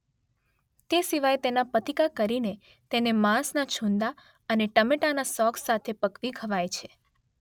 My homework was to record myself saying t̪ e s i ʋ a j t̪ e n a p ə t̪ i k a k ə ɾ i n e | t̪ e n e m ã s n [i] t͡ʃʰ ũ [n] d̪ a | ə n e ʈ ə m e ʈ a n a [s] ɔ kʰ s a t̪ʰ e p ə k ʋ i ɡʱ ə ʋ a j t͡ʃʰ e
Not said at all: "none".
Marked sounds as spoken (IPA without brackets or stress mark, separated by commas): a, n, s